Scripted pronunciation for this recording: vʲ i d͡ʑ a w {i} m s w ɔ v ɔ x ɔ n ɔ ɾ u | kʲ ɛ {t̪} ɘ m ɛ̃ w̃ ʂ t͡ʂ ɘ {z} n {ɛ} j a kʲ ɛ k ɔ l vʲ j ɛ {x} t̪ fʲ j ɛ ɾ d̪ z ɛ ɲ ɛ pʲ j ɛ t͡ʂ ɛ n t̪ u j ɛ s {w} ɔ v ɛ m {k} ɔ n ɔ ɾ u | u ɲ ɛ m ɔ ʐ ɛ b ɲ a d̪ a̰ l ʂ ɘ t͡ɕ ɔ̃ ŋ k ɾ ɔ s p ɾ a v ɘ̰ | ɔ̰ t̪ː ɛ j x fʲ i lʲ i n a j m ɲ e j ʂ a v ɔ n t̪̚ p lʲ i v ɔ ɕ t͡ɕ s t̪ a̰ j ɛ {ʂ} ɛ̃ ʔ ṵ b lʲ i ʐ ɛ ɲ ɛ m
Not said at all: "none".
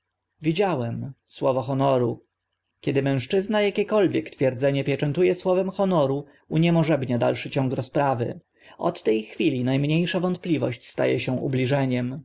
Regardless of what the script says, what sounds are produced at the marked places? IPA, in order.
ɛ, d̪, z, a, k, w, x, ɕ

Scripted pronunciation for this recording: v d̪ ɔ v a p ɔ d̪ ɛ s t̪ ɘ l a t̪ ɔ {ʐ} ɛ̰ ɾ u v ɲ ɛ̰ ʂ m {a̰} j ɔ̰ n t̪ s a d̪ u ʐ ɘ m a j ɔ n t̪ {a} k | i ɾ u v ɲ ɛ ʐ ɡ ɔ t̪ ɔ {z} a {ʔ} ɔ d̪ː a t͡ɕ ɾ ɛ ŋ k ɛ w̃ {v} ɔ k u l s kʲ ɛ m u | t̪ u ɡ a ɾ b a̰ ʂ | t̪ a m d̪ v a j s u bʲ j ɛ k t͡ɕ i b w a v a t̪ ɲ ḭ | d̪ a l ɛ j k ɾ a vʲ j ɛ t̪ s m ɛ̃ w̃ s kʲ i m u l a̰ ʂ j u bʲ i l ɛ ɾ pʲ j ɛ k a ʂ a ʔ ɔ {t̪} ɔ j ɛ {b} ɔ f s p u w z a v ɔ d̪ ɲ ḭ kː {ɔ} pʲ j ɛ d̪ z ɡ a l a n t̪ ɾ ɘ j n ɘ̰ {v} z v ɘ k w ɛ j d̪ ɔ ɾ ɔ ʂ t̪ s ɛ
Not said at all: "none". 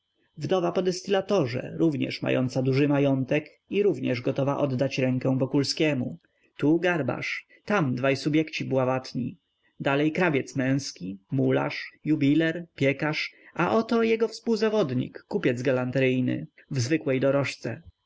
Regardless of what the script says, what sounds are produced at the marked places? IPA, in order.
ʐ, a̰, ɛ, v, ʔ, v, t̪, ɡ, u, v

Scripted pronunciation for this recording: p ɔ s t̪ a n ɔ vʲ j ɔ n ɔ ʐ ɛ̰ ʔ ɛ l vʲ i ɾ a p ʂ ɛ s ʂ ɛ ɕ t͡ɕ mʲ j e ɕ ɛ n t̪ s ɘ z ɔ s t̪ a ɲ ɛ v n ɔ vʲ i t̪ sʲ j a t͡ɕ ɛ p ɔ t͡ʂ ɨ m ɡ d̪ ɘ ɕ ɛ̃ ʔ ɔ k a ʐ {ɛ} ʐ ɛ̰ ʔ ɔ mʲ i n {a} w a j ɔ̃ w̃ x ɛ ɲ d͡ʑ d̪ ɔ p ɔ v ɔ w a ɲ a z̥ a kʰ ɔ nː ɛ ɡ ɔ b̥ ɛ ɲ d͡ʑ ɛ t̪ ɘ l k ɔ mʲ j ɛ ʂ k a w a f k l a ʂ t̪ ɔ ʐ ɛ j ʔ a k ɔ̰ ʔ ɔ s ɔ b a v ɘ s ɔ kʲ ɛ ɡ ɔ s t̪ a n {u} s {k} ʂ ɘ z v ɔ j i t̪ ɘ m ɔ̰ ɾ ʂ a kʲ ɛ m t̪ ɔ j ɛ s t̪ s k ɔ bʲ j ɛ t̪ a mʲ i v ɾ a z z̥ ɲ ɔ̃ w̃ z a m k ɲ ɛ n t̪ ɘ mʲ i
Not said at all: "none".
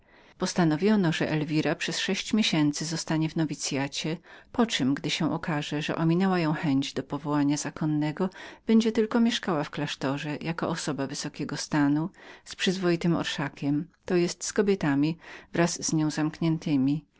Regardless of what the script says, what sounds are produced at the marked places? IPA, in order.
ɛ, ɛ, u, p

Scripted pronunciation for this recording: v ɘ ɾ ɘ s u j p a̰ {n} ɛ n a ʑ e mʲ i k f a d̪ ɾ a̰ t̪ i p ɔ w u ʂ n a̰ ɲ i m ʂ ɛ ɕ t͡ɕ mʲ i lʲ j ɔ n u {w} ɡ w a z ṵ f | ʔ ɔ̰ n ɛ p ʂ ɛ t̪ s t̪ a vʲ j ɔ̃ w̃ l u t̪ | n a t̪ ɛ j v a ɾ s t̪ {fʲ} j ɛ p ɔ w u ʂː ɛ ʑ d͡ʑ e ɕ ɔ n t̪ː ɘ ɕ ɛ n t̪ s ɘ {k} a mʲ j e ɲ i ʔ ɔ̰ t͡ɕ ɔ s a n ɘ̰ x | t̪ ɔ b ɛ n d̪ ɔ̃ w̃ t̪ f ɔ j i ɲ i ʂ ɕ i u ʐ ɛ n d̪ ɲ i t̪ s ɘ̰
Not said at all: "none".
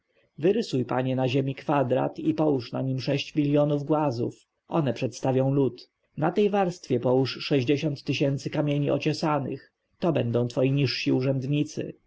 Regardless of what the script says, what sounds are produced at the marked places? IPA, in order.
ɲ, v, fʲ, k

